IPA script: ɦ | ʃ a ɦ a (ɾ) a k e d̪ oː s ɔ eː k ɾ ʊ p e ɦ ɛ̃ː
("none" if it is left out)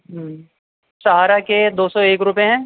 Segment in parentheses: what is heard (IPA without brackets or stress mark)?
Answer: ɾ